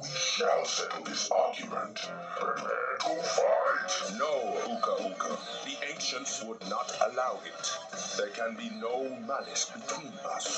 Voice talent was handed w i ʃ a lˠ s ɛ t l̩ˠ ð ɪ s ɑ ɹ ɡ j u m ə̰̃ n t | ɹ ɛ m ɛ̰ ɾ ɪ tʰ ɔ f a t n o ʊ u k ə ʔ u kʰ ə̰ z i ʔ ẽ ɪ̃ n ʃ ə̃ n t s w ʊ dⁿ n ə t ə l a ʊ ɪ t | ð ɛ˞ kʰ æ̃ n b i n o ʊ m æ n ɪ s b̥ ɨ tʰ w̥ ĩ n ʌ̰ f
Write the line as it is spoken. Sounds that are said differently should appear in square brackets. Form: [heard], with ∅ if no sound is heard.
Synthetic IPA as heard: w i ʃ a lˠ s ɛ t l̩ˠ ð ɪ s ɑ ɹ ɡ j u m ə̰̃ n t | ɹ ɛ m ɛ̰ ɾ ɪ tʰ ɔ f a t n o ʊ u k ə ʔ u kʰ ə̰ [ð] i ʔ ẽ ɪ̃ n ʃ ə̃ n t s w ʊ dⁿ n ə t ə l a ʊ ɪ t | ð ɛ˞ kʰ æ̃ n b i n o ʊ m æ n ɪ s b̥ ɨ tʰ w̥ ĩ n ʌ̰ [s]